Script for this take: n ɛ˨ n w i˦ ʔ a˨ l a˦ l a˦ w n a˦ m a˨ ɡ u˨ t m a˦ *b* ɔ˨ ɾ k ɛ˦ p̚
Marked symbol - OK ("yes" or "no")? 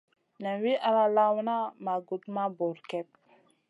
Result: yes